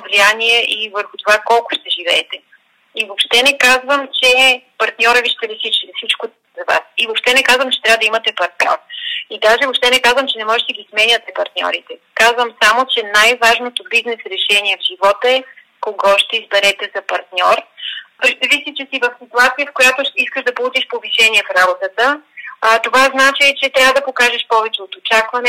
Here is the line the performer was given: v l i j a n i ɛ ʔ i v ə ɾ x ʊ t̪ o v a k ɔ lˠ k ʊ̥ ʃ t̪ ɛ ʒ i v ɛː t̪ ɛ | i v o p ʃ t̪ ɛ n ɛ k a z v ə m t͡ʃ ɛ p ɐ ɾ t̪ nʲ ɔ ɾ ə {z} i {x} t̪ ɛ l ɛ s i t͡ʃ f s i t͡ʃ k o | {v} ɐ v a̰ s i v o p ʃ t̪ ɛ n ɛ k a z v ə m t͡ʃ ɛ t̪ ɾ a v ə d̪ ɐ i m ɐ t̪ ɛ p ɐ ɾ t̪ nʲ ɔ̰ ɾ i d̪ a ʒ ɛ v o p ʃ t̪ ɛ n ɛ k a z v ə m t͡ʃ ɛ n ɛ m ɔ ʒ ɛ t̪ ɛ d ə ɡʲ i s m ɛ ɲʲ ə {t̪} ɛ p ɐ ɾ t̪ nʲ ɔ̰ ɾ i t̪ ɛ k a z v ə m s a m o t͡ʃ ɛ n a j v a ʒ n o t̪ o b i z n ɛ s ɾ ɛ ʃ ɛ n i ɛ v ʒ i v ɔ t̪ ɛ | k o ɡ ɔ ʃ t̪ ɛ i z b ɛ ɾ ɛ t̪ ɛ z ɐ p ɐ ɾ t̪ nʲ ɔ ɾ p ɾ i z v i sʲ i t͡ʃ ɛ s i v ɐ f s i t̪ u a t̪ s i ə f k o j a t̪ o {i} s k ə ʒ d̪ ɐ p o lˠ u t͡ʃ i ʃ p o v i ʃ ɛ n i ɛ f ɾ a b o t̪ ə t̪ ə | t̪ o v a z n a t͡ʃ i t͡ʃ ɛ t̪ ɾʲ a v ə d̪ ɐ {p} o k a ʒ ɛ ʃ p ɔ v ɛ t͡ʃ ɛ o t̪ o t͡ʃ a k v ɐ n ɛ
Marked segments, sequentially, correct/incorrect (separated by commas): incorrect, incorrect, incorrect, correct, correct, correct